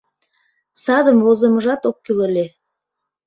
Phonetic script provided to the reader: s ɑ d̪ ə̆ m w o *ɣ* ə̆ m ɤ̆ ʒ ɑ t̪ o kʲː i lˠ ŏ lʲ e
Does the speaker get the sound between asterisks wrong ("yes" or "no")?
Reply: yes